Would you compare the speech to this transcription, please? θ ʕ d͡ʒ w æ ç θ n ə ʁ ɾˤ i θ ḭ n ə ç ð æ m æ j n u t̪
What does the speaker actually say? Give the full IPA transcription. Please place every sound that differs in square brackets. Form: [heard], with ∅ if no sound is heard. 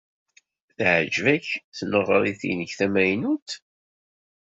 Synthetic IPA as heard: θ ʕ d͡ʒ [v] æ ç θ n ə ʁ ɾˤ i θ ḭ n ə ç [θ] æ m æ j n u t̪